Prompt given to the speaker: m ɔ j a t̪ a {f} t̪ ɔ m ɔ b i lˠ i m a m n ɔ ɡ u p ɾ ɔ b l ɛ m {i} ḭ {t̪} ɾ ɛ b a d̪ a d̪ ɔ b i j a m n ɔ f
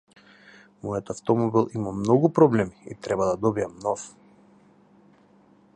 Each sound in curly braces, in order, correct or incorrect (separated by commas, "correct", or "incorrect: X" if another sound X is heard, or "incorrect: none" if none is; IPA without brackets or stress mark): correct, correct, correct